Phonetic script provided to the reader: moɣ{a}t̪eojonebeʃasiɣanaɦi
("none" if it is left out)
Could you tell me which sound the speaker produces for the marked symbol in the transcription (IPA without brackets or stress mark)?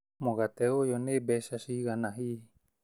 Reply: a